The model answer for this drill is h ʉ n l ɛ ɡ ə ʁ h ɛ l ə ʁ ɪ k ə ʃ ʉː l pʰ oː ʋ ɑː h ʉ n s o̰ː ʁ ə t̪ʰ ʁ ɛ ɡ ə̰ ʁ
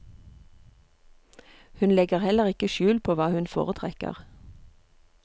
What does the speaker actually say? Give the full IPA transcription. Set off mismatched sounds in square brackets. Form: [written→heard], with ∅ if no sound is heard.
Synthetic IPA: h ʉ n l ɛ ɡ ə ʁ h ɛ l ə ʁ ɪ k ə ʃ ʉː l pʰ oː ʋ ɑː h ʉ n [s→f] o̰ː ʁ ə t̪ʰ ʁ ɛ [ɡ→k] ə̰ ʁ